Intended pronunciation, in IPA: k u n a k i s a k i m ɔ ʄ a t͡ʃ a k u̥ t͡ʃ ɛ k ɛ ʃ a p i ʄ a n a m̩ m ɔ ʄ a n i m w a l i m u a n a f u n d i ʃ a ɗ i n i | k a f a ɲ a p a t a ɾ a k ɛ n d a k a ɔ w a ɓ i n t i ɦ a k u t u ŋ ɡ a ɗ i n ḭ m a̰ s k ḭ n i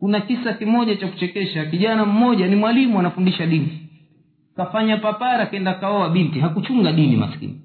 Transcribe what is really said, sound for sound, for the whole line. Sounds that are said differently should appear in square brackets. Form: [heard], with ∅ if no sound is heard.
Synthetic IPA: k u n a k i s a k i m ɔ ʄ a t͡ʃ a k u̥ t͡ʃ ɛ k ɛ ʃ a [k] i ʄ a n a m̩ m ɔ ʄ a n i m w a l i m u a n a f u n d i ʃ a ɗ i n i | k a f a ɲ a p a [p] a ɾ a k ɛ n d a k a ɔ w a ɓ i n t i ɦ a k u [t͡ʃ] u ŋ ɡ a ɗ i n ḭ m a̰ s k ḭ n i